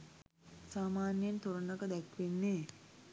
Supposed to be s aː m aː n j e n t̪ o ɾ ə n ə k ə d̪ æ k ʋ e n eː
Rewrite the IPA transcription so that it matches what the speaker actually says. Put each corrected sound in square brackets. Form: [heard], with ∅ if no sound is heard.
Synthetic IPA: s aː m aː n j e n t̪ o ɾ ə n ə k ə d̪ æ k ʋ e [nː] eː